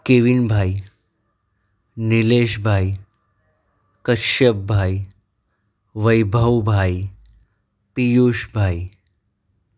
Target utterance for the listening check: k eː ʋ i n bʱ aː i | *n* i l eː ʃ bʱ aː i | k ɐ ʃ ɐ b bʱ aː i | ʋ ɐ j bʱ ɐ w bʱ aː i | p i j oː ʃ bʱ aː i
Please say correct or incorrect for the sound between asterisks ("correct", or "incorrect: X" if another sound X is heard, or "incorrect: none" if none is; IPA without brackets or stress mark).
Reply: correct